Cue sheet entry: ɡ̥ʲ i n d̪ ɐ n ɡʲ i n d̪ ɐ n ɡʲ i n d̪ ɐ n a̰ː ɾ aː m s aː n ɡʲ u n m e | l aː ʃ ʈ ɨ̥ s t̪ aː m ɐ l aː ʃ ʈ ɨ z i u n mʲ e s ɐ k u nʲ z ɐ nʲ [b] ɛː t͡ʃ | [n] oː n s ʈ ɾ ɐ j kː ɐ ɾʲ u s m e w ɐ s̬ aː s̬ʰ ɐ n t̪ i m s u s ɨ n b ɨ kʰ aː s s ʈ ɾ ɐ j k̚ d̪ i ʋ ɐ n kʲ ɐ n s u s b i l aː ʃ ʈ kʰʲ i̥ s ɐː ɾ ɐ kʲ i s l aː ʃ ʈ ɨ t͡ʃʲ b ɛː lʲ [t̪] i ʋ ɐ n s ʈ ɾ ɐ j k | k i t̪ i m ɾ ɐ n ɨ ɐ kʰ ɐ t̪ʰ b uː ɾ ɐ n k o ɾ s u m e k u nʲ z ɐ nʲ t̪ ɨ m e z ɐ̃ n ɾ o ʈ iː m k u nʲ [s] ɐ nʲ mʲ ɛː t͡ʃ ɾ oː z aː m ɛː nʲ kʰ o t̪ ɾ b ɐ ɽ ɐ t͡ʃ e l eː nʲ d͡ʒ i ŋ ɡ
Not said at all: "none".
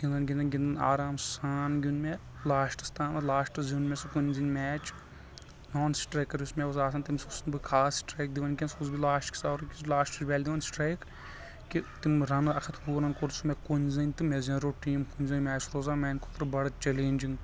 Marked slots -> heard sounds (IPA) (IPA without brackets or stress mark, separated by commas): m, n, d̪, z